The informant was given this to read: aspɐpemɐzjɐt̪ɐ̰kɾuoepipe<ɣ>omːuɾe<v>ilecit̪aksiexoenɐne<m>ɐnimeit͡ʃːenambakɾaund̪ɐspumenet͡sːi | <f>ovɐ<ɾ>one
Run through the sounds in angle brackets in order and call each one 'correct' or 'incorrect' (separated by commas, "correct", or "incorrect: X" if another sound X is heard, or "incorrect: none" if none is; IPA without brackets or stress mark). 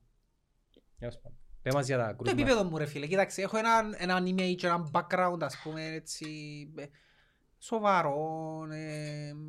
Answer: incorrect: ð, incorrect: f, incorrect: n, incorrect: s, correct